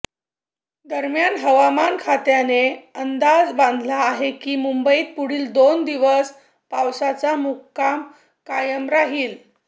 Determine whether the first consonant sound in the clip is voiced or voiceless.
voiced